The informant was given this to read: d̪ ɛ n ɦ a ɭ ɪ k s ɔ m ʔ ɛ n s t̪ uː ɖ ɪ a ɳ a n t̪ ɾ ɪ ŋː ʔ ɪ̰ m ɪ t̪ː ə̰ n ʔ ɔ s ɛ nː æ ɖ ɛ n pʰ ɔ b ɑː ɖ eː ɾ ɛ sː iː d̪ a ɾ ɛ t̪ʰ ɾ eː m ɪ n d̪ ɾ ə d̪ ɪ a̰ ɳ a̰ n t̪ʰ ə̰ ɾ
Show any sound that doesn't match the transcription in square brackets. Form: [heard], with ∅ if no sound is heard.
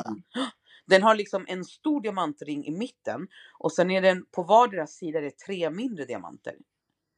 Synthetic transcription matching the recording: d̪ ɛ n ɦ a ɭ ɪ k s ɔ m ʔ ɛ n s t̪ uː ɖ ɪ a [m] a n t̪ ɾ ɪ ŋː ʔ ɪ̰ m ɪ t̪ː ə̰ n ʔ ɔ s ɛ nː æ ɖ ɛ n pʰ ɔ [v] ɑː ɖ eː ɾ [a] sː iː d̪ a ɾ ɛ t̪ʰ ɾ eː m ɪ n d̪ ɾ ə d̪ ɪ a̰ [m] a̰ n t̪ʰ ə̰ ɾ